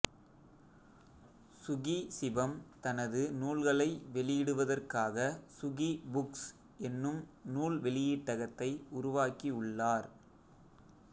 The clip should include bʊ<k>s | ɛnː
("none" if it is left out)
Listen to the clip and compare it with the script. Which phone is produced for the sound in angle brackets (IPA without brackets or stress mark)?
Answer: k